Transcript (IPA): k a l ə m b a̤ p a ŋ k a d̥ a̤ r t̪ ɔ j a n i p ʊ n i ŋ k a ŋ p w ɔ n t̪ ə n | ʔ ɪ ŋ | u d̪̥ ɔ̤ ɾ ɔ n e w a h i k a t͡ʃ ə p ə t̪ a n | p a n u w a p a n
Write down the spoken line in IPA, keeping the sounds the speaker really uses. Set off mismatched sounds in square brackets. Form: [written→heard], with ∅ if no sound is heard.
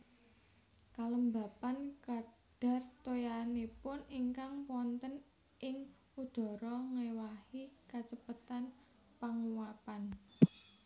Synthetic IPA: k a l ə m b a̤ p a [ŋ→n] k a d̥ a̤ r t̪ [ɔ→o] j a n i p ʊ n i ŋ k a ŋ p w ɔ n t̪ ə n | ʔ ɪ ŋ | u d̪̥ ɔ̤ ɾ ɔ [n→ŋ] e w a h i k a t͡ʃ ə p ə t̪ a n | p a [n→ŋ] u w a p a n